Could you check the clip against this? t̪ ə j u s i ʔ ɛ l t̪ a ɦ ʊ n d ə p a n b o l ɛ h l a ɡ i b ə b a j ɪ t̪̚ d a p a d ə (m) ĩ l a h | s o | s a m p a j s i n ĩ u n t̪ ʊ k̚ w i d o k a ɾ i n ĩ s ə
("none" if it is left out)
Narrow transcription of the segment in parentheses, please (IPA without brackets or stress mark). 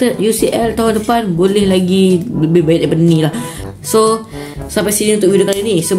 n